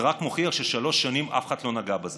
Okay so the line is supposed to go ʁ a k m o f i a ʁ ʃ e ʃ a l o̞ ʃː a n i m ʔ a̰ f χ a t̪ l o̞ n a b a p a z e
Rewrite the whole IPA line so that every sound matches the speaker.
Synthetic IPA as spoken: ʁ a k m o χ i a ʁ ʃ e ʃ a l o̞ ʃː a n i m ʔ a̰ f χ a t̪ l o̞ n a ɡ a b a z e

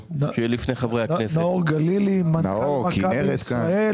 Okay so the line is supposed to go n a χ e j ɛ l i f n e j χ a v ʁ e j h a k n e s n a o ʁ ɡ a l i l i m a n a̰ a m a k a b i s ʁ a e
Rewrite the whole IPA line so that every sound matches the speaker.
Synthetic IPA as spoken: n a ʃ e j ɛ l i f n e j χ a v ʁ e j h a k n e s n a o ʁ ɡ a l i l i m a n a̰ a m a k a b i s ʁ a e

